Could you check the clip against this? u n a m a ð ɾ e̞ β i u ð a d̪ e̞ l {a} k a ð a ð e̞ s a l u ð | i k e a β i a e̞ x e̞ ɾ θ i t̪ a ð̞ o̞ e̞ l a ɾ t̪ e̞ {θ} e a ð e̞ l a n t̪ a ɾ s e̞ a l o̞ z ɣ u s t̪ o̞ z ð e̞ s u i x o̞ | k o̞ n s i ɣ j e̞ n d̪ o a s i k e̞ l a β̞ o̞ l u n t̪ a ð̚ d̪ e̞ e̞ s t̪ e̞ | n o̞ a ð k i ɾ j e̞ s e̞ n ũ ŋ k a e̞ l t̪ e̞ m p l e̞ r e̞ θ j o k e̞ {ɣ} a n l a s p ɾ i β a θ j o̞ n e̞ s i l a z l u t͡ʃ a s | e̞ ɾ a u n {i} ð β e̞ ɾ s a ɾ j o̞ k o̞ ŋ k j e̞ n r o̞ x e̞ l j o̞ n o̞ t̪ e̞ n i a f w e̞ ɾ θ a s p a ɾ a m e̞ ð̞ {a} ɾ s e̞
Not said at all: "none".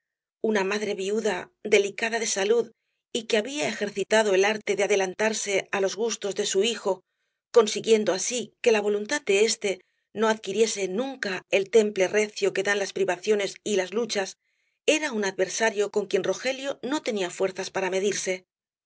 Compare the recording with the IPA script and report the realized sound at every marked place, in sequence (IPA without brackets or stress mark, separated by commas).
i, ð, ð, a, i